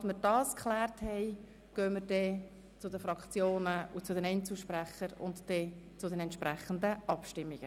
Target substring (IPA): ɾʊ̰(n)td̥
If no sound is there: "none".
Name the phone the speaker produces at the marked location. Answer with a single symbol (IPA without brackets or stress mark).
n